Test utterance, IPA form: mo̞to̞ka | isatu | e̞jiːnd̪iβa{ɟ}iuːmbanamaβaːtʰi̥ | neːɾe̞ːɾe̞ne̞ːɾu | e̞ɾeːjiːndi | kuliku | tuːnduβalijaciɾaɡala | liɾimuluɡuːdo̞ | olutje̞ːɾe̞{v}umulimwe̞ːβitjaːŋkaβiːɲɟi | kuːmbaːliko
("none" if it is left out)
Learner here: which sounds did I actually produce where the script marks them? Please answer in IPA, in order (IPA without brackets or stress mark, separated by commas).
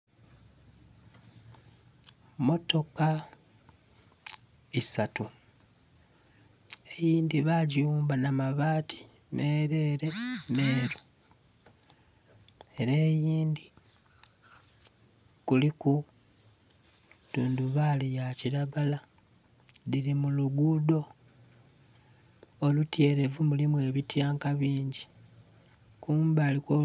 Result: ɟ, v